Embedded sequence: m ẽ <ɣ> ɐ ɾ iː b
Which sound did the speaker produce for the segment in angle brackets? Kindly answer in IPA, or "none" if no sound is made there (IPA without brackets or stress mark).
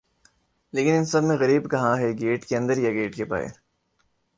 ɣ